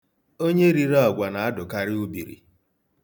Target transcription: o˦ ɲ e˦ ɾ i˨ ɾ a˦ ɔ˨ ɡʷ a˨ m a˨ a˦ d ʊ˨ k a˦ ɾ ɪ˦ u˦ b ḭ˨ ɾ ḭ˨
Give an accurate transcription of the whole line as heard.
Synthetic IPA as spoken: o˦ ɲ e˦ ɾ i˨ ɾ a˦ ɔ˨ ɡʷ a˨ n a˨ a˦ d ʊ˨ k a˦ ɾ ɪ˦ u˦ b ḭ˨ ɾ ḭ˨